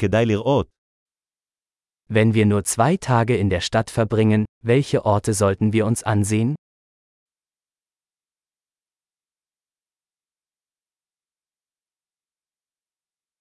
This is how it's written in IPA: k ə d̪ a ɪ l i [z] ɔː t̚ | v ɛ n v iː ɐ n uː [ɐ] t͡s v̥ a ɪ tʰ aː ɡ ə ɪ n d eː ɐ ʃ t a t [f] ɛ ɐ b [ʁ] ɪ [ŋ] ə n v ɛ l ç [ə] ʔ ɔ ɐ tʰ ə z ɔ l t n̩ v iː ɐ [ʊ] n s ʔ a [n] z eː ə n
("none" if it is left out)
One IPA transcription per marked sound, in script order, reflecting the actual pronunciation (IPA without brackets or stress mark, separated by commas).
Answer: ʁ, ɐ, f, ʁ, ŋ, ə, ʊ, n